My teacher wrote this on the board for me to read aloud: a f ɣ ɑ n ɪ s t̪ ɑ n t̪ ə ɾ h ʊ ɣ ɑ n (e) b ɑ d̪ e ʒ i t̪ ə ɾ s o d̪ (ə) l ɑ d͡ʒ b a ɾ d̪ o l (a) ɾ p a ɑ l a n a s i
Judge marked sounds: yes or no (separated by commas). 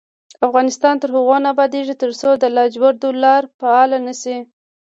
no, yes, no